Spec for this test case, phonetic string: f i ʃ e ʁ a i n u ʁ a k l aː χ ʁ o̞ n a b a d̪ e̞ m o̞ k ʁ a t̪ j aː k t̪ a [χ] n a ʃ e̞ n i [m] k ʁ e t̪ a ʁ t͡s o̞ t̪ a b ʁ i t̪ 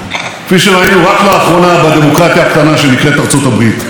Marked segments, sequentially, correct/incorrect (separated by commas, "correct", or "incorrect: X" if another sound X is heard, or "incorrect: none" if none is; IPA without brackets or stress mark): incorrect: none, incorrect: none